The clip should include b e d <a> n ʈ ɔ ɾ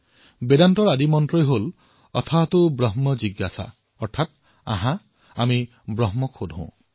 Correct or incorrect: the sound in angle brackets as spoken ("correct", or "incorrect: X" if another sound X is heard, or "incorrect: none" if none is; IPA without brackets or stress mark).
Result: correct